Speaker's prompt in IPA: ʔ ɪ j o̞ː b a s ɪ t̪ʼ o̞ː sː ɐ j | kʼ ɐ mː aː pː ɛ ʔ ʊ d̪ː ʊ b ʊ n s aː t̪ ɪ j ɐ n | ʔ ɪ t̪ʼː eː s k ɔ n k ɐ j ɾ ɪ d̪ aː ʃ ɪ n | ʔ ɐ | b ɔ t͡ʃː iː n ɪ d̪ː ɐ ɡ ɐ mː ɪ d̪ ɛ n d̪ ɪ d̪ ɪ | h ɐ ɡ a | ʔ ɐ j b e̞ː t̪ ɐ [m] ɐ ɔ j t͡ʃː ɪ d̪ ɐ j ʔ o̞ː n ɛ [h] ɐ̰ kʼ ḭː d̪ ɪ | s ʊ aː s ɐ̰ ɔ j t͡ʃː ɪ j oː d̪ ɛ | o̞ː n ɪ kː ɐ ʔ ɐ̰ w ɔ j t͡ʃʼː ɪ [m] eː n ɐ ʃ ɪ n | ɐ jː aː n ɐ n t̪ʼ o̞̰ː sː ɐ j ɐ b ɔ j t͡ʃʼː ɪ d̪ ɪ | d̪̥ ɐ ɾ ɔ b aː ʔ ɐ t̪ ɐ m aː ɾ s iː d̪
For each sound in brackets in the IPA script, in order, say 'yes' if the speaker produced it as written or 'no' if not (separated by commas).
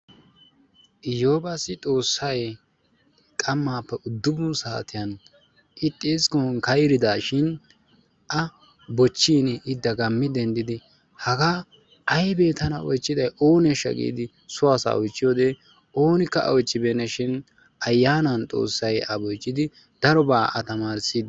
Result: no, no, no